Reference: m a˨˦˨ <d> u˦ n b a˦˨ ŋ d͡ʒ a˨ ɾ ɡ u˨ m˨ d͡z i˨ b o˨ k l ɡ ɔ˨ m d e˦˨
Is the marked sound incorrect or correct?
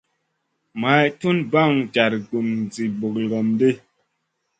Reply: incorrect